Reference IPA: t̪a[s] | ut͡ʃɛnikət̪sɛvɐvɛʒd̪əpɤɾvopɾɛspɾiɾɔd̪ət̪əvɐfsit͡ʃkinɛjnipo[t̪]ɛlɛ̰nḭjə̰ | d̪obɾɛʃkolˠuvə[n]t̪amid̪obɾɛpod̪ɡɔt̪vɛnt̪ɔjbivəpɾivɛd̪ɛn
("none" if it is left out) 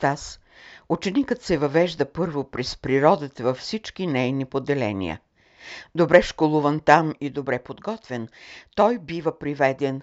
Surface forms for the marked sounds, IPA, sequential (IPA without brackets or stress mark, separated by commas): s, d̪, n